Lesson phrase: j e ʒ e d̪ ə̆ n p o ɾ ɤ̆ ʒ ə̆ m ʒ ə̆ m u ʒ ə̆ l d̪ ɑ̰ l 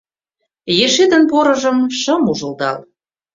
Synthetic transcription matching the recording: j e ʃ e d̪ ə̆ n p o ɾ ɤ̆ ʒ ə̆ m ʃ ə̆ m u ʒ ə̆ l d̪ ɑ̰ l

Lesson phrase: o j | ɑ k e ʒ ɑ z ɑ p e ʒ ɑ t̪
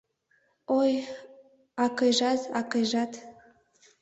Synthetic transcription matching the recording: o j | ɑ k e ʒ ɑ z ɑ k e ʒ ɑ t̪

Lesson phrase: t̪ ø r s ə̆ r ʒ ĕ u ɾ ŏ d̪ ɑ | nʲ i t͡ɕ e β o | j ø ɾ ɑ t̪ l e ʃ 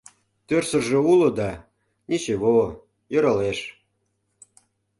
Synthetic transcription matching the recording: t̪ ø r s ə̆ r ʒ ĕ u l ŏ d̪ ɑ | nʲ i t͡ɕ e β o | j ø ɾ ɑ l e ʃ

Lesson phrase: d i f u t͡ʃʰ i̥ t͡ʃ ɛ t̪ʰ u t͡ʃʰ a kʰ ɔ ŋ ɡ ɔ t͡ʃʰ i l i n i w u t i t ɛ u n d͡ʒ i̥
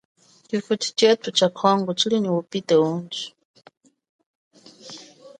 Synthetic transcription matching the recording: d i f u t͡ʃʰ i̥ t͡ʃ ɛ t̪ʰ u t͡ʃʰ a kʰ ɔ ŋ ɡ ɔ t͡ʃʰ i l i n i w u p i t ɛ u n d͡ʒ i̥

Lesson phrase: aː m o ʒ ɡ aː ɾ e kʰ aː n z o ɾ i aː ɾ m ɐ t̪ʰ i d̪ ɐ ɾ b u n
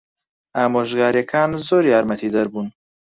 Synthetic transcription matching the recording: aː m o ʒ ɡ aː ɾ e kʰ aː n z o ɾ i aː ɾ m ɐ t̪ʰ i d̪ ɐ ɾ b u n

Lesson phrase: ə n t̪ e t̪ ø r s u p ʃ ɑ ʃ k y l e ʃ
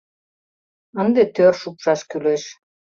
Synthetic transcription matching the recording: ə n d̪ e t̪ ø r ʃ u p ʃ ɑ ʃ k y l e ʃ

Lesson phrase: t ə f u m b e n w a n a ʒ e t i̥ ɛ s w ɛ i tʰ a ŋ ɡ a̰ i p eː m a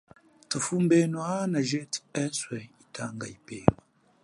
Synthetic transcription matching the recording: t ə f u m b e n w a n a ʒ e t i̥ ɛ s w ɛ i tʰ a ŋ ɡ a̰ i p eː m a

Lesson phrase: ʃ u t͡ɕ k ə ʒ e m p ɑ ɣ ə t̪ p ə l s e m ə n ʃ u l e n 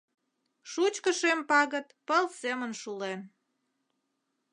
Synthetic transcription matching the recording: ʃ u t͡ɕ k ə ʃ e m p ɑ ɣ ə t̪ p ə l s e m ə n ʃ u l e n

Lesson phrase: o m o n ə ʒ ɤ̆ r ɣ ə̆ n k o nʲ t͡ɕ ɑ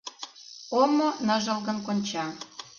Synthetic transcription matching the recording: o m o n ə ʒ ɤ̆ l ɣ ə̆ n k o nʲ t͡ɕ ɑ

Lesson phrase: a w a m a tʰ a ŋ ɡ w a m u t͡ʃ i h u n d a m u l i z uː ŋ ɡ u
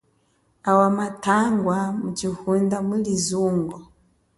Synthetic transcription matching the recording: a w a m a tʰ a ŋ ɡ w a m u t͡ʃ i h u n d a m u l i z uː ŋ ɡ ɔ

